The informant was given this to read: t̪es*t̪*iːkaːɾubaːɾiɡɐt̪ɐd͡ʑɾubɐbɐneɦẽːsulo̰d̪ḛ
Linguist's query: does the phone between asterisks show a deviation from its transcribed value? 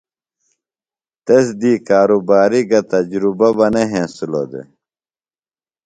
yes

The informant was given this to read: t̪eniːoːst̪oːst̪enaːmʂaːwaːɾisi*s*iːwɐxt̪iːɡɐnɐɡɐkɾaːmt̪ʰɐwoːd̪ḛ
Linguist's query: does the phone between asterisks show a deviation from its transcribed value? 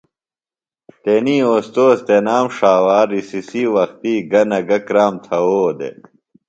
no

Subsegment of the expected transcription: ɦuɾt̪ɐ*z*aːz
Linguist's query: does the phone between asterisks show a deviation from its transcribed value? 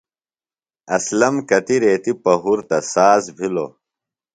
yes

